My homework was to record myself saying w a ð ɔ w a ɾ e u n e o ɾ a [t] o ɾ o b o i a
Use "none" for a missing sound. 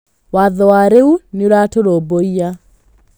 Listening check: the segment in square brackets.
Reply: t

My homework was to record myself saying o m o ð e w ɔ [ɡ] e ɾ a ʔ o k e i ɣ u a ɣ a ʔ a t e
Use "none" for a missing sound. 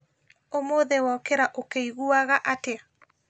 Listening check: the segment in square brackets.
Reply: k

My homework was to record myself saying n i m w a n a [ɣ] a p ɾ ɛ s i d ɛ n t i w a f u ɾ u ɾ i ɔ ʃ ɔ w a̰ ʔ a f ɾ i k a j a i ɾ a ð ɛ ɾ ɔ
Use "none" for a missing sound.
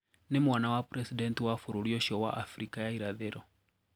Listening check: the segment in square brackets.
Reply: w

